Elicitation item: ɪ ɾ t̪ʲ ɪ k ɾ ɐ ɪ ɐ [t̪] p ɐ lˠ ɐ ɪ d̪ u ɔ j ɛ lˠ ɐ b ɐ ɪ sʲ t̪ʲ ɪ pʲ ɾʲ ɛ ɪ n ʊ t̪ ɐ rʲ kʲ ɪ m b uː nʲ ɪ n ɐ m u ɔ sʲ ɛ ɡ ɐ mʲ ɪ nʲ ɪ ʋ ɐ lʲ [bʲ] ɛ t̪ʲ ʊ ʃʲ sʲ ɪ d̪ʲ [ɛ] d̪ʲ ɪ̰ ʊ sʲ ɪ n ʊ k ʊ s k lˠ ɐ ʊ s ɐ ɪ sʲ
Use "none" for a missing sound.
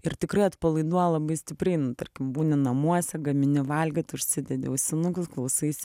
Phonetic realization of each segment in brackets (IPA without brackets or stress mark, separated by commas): t̪, ɡʲ, ɛ